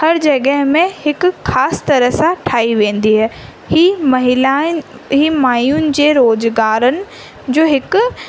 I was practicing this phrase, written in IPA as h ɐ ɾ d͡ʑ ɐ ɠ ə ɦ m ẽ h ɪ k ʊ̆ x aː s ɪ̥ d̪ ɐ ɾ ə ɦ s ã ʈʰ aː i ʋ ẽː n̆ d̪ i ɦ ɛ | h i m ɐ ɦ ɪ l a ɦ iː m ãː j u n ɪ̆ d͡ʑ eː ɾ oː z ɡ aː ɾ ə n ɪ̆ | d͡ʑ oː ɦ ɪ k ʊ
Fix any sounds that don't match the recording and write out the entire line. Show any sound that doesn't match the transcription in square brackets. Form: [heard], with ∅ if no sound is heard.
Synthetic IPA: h ɐ ɾ d͡ʑ ɐ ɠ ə ɦ m ẽ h ɪ k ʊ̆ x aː s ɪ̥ [t̪] ɐ ɾ ə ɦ s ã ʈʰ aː i ʋ ẽː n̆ d̪ i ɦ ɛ | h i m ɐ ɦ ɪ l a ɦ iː m [aː] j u n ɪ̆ d͡ʑ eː ɾ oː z ɡ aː ɾ ə n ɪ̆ | d͡ʑ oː ɦ ɪ k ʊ